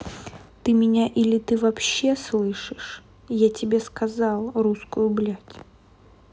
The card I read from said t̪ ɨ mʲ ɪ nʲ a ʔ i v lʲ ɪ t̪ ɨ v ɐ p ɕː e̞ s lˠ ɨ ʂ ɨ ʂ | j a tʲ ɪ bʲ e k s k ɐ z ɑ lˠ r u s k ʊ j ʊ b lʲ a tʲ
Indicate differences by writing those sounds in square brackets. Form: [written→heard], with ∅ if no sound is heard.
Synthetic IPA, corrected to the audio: t̪ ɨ mʲ ɪ nʲ a ʔ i [v→∅] lʲ ɪ t̪ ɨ v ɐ p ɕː e̞ s lˠ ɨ ʂ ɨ ʂ | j a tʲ ɪ bʲ e [k→∅] s k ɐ z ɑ lˠ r u s k ʊ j ʊ b lʲ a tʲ